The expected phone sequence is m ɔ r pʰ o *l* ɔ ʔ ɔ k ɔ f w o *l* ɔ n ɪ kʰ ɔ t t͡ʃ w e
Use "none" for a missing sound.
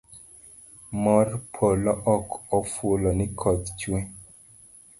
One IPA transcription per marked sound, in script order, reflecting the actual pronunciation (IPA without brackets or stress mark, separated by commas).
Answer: l, l